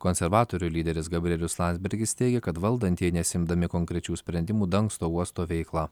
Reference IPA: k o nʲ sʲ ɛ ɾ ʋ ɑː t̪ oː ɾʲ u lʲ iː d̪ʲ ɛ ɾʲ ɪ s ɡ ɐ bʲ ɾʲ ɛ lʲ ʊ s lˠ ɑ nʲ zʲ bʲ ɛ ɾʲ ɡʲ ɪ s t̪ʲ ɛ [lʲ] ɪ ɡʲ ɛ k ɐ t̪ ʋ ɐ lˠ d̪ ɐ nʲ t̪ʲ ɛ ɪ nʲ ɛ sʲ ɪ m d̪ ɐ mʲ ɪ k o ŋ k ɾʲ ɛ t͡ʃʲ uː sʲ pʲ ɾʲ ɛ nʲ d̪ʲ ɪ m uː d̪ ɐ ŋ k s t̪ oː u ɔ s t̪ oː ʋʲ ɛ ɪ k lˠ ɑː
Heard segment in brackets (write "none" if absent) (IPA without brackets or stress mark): none